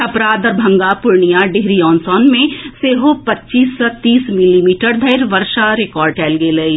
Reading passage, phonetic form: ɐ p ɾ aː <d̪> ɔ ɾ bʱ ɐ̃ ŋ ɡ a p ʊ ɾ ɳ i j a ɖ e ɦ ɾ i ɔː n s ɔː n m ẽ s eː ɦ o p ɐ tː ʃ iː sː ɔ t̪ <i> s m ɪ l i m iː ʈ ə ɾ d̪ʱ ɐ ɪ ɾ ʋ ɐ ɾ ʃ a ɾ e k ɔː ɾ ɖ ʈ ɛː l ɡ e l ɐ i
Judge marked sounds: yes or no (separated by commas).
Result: yes, no